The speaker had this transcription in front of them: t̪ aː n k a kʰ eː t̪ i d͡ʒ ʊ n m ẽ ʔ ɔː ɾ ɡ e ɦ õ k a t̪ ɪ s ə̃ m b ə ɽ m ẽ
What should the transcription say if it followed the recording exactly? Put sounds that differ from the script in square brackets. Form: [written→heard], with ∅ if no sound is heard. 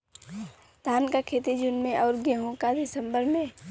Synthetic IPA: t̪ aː n k a kʰ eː t̪ i d͡ʒ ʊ n m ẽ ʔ ɔː ɾ ɡ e ɦ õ k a [t̪→d̪] ɪ s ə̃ m b ə [ɽ→ɾ] m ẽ